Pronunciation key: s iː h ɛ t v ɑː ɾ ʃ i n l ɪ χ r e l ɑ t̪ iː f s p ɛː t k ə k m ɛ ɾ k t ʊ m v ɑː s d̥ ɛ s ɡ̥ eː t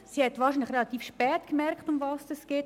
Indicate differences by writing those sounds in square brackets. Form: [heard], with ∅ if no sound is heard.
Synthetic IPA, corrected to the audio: s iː h ɛ t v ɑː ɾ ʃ i n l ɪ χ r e l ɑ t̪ iː f [ʃ] p ɛː t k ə [∅] m ɛ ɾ k t ʊ m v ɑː s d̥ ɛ s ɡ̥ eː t

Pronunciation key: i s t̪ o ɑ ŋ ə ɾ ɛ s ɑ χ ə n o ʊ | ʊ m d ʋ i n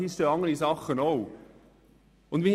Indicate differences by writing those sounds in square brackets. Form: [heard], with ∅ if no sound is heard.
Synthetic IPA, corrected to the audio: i s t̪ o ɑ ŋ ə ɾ [i] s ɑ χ ə n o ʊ | ʊ [n] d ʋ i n

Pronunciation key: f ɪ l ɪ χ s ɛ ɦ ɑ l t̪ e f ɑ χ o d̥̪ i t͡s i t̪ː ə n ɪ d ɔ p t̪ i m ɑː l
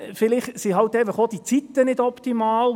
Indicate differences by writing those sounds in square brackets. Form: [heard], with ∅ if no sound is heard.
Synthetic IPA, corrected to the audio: f ɪ l ɪ χ s [i] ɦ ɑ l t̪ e f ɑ χ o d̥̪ i t͡s i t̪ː ə n ɪ d ɔ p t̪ i m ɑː l

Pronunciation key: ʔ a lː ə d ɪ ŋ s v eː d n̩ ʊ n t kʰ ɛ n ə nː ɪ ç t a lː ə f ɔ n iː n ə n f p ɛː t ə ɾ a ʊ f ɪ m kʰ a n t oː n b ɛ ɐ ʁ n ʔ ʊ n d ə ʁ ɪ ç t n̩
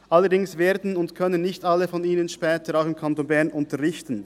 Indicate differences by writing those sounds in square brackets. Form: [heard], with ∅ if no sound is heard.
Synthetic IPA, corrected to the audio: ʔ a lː ə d ɪ ŋ s v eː d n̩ ʊ n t kʰ [œ] n ə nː ɪ ç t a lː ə f ɔ n iː n ə n [ʃ] p ɛː t ə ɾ a ʊ [x] ɪ m kʰ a n t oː n b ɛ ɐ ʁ n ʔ ʊ n [t] ə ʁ ɪ ç t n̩

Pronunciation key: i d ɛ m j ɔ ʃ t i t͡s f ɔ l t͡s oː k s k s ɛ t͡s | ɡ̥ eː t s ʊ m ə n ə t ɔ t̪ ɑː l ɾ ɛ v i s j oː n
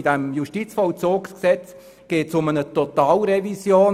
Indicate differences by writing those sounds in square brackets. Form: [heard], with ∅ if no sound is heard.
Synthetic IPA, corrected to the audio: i d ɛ m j [u] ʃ t i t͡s f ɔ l t͡s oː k s k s ɛ t͡s | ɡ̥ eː t s ʊ m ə n ə t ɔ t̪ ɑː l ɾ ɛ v i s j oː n

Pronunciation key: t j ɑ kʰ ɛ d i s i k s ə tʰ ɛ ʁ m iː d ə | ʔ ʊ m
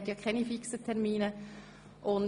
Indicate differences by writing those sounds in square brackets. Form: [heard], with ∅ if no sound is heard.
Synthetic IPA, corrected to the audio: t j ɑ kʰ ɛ [n] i [f] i k s ə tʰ ɛ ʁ m iː [n] ə | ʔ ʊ [n]

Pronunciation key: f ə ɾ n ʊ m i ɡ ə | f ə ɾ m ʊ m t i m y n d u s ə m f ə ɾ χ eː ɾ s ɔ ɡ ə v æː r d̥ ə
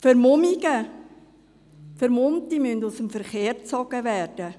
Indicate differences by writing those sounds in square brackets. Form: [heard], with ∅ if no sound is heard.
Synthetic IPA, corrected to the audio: f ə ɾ [m] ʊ m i ɡ ə | f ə ɾ m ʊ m t i m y n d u s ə m f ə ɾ χ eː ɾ [t͡s] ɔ ɡ ə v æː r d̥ ə

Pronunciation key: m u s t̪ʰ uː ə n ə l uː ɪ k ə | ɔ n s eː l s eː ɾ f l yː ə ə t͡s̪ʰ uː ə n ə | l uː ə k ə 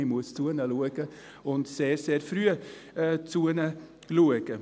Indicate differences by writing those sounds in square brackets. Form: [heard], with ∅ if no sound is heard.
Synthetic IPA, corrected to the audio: m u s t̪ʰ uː ə n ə l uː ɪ k ə | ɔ n s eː [ɾ] s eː ɾ f [ɾ] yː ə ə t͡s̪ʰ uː ə n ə | l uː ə k ə

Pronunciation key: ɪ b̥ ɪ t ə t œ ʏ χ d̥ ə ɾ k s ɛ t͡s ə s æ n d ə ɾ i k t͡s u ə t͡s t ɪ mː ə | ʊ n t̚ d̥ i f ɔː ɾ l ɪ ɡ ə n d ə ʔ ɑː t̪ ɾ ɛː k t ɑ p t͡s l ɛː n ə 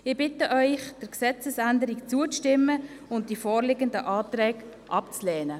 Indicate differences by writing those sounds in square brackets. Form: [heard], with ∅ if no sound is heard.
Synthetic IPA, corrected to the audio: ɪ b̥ ɪ t ə [ʔ] œ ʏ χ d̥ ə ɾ k s ɛ t͡s ə s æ n d ə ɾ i k t͡s u ə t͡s t ɪ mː ə | ʊ n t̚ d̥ i f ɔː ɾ l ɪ ɡ ə n d ə ʔ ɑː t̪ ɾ ɛː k [ʔ] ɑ p t͡s l ɛː n ə

